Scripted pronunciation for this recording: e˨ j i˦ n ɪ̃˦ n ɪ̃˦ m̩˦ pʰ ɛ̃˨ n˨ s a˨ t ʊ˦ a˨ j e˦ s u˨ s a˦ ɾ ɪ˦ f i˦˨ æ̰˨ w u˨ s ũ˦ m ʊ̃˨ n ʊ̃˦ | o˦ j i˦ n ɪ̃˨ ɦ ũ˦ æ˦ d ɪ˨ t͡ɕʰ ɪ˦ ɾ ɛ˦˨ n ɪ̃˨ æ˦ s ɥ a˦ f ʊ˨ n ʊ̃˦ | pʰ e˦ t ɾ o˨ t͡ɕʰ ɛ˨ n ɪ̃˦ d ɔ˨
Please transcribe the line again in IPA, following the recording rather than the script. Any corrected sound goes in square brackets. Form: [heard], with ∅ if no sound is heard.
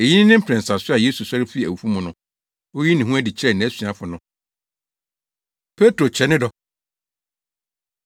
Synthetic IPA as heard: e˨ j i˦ n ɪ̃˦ n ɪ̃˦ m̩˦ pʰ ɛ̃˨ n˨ s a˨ [s] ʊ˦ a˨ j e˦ s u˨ s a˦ ɾ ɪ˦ f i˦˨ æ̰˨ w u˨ [f] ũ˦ m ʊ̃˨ n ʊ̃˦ | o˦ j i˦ n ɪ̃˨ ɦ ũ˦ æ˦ d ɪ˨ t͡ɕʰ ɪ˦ ɾ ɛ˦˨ n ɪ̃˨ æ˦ s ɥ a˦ f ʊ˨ n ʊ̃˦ | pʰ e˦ t ɾ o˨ t͡ɕʰ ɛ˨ n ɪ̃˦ d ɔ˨